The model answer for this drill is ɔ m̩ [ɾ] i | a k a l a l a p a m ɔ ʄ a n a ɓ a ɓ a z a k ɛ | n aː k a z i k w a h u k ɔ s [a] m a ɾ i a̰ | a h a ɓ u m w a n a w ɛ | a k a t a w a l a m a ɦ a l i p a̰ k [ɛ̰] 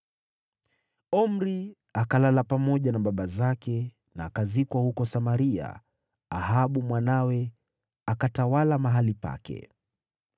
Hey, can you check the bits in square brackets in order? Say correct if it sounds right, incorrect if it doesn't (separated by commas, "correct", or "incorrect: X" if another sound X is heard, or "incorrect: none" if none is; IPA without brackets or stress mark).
correct, correct, correct